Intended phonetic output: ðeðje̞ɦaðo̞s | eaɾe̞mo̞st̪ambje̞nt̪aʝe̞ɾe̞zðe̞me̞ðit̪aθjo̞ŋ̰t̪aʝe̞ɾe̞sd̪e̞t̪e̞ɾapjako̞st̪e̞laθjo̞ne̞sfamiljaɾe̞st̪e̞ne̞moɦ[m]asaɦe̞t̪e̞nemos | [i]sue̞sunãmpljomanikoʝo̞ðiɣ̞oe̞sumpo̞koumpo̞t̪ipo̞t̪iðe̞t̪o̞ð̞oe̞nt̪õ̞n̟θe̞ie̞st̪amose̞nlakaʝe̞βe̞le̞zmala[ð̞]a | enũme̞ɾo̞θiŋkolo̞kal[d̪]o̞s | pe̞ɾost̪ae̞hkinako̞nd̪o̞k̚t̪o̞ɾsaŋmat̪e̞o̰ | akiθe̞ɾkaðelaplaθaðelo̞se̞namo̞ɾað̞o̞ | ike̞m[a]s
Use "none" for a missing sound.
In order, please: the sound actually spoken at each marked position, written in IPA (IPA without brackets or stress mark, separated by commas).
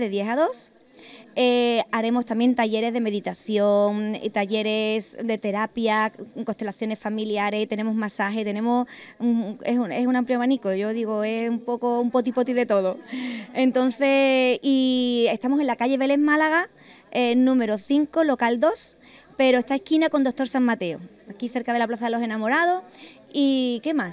m, e, ɣ̞, d̪, a